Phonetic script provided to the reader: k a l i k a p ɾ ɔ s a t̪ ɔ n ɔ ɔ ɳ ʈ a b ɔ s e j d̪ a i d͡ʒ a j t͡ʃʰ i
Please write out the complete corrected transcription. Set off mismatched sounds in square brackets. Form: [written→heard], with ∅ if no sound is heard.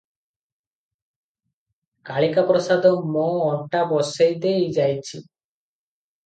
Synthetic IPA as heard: k a [l→ɭ] i k a p ɾ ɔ s a [t̪→d̪] ɔ [n→m] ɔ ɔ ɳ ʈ a b ɔ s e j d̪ [a→e] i d͡ʒ a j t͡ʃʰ i